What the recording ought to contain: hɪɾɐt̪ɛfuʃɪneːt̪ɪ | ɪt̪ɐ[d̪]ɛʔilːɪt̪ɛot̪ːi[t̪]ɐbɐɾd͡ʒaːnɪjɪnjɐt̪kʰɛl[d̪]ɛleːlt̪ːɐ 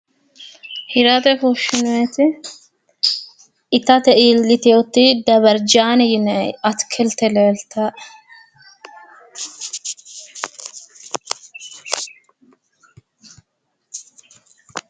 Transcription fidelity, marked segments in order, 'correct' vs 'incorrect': incorrect: t̪, incorrect: d̪, incorrect: t̪

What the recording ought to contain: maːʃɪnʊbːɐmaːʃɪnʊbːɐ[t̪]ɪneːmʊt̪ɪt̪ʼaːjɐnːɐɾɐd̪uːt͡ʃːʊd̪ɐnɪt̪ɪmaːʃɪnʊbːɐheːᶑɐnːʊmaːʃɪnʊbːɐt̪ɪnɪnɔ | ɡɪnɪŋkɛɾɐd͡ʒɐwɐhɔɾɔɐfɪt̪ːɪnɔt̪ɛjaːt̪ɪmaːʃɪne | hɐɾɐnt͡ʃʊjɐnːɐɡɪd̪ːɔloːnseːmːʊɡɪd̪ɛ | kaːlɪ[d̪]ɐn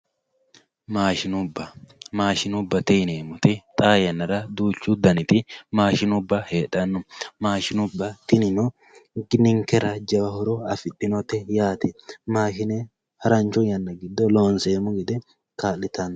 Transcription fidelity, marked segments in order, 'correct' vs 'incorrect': correct, incorrect: t̪

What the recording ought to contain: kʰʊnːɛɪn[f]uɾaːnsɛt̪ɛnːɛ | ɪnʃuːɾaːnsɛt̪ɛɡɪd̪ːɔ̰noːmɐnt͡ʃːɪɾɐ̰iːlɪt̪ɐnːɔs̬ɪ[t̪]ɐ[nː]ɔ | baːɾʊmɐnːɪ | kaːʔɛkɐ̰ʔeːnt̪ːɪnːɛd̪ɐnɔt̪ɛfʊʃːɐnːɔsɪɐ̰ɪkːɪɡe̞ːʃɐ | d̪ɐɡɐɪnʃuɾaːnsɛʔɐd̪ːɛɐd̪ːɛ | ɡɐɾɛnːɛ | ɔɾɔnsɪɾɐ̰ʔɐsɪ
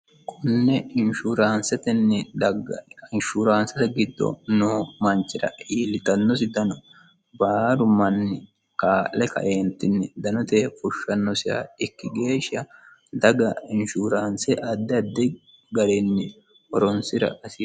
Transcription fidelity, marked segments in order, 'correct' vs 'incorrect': incorrect: ʃ, incorrect: d̪, incorrect: n

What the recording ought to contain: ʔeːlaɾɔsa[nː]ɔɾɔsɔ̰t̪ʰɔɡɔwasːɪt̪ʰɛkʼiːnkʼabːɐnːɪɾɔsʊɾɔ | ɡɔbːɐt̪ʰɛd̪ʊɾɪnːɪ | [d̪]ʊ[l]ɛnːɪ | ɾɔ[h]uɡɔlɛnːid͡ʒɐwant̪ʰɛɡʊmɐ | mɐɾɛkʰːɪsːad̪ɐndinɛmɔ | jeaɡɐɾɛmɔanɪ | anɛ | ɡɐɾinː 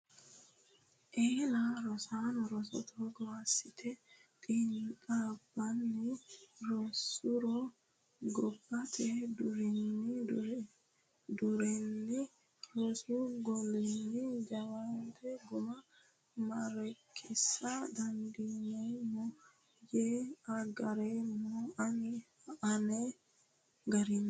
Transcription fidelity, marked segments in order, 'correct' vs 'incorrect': incorrect: n, correct, incorrect: ɾ, incorrect: s

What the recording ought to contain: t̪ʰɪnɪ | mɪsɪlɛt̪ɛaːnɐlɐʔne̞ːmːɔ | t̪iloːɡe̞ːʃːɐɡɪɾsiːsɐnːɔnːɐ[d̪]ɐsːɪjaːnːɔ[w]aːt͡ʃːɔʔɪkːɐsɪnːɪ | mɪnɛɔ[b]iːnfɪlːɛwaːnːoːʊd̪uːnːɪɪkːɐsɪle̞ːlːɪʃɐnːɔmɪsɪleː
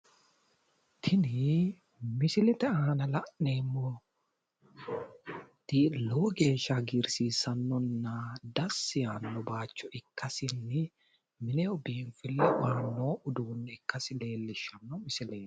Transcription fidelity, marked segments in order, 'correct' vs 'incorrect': correct, incorrect: b, correct

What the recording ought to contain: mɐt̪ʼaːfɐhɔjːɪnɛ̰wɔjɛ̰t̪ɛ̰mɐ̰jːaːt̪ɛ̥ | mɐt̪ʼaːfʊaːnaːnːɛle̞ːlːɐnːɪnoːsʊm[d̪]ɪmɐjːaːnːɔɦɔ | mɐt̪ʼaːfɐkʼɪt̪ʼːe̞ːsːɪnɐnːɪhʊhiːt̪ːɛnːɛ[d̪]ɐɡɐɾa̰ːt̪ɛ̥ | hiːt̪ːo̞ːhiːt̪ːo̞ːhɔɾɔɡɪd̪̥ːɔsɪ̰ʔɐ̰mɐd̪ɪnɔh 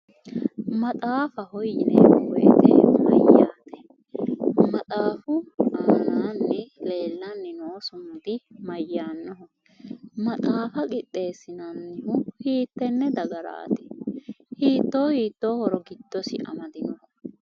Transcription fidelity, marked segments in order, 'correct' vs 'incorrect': correct, correct

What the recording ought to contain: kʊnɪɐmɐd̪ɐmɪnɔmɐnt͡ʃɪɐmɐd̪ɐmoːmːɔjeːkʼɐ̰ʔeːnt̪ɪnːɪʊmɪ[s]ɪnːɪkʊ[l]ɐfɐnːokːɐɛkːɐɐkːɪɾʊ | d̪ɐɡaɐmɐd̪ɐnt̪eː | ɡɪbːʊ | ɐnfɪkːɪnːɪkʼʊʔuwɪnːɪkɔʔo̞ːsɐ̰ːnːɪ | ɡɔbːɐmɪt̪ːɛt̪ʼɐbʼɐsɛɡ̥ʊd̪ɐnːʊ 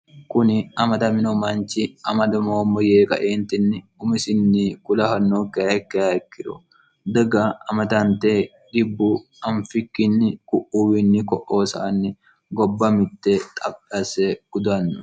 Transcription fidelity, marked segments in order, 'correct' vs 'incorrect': correct, correct

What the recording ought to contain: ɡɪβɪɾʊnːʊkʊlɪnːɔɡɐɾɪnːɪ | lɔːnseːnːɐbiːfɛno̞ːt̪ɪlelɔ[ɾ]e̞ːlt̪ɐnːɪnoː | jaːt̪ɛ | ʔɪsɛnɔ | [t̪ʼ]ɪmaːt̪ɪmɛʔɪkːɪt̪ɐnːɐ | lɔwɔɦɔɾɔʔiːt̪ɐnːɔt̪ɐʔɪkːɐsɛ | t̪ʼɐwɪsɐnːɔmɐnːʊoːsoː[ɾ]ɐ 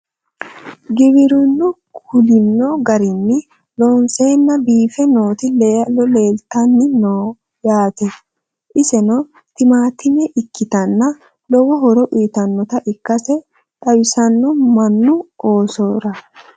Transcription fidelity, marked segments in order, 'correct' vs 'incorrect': incorrect: l, incorrect: t̪, correct

